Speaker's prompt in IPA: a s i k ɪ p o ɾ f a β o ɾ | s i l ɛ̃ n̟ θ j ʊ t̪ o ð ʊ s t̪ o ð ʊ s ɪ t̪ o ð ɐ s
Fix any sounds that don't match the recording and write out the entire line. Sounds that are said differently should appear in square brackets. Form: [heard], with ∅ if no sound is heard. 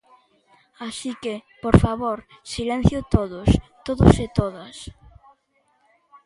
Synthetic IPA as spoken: a s i k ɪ p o ɾ f a β o ɾ | s i l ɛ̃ n̟ θ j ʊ t̪ o ð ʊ s t̪ o ð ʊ s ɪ t̪ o ð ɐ s